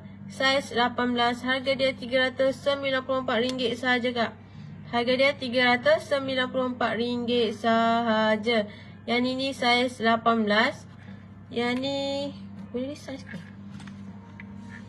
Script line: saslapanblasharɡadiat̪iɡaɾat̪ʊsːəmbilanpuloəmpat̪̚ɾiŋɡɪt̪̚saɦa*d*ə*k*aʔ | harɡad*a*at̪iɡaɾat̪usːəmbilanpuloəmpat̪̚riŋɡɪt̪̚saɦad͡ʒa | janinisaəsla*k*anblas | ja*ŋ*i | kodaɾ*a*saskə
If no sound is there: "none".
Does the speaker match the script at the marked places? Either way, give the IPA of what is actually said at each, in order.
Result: d͡ʒ, k, i, p, n, i

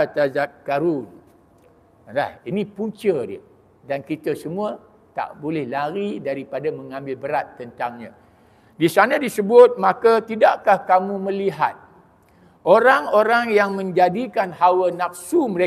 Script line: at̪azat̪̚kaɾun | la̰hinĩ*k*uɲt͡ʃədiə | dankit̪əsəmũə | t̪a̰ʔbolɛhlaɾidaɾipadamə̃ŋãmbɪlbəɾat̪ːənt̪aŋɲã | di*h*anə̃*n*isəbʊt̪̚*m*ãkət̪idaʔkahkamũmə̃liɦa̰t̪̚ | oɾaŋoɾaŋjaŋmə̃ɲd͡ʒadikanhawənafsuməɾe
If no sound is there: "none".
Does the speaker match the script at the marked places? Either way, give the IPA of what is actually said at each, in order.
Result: p, s, d, m

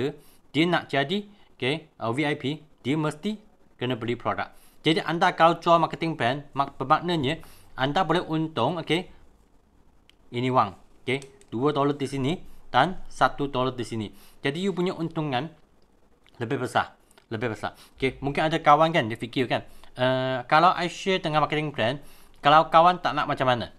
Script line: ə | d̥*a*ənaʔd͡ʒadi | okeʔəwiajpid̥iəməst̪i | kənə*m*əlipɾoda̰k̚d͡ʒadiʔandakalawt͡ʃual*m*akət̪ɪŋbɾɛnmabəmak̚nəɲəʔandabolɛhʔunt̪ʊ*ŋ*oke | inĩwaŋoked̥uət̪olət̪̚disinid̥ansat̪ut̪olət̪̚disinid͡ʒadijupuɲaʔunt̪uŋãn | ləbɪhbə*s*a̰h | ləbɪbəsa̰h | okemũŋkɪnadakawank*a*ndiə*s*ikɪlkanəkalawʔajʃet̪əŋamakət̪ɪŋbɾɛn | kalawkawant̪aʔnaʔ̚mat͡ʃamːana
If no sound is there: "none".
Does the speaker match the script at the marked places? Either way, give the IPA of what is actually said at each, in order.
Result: i, b, m, ŋ, s, a, f

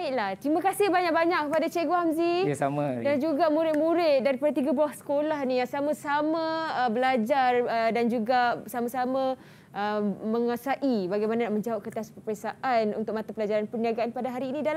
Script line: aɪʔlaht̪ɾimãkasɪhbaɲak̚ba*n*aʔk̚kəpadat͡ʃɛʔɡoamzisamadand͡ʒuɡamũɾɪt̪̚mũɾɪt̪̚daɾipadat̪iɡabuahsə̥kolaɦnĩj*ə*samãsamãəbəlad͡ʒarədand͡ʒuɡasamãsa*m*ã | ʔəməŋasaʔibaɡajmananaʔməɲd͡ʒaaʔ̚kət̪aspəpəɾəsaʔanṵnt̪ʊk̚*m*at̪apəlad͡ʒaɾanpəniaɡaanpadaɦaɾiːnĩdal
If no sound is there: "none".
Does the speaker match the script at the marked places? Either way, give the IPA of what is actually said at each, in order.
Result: ɲ, a, m, m

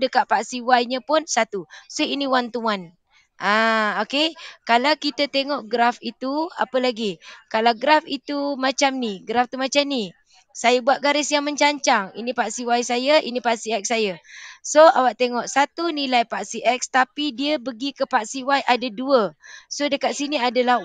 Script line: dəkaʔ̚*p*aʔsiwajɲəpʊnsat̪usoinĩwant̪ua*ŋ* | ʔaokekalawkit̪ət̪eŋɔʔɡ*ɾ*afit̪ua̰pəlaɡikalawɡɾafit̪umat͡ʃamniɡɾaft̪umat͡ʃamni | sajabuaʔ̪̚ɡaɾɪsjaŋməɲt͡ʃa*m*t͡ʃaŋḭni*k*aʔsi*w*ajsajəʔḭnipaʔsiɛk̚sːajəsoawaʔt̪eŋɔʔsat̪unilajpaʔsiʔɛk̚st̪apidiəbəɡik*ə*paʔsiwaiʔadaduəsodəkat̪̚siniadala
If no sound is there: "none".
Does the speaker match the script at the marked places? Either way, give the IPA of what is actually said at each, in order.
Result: p, n, ɾ, ɲ, p, w, ə

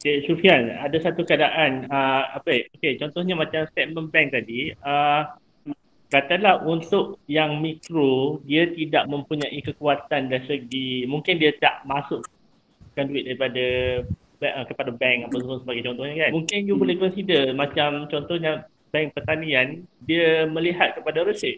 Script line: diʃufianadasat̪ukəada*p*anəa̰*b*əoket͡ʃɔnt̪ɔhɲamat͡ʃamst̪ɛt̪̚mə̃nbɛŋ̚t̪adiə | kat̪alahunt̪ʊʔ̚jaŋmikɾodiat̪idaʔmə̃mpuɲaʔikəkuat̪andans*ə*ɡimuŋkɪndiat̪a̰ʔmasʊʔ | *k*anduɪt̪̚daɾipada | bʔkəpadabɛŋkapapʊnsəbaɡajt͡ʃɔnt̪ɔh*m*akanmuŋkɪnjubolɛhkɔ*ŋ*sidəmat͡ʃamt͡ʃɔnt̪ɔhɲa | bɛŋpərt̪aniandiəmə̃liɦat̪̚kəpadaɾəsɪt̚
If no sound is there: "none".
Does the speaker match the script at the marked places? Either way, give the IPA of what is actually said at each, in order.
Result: ʔ, p, ə, k, ɲ, n

